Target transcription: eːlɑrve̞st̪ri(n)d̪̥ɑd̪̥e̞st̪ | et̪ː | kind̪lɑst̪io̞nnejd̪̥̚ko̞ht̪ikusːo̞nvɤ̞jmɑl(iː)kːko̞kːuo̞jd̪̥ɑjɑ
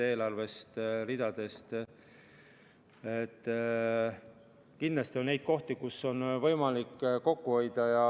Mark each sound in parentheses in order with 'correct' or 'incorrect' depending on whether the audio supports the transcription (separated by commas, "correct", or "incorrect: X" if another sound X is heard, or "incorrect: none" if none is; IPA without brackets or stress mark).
incorrect: none, incorrect: i